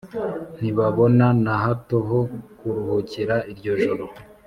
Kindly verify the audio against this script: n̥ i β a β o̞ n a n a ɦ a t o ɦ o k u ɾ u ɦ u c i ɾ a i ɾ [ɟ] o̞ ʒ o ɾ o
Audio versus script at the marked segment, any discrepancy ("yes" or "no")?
no